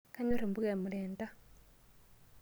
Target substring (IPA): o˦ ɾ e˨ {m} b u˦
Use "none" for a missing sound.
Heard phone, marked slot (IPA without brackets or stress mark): m